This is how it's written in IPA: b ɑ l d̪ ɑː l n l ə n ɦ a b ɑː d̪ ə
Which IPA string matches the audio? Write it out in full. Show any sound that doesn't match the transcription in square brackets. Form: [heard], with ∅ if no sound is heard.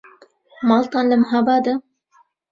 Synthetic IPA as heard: [m] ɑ l [t̪] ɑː [∅] n l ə [m] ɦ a b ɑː d̪ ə